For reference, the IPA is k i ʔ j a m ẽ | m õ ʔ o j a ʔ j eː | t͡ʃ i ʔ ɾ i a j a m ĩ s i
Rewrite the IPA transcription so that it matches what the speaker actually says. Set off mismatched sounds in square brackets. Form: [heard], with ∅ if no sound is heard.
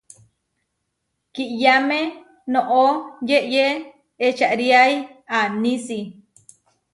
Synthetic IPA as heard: k i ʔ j a m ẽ | [n] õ ʔ o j [e] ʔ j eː | t͡ʃ [a] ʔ ɾ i a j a [n] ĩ s i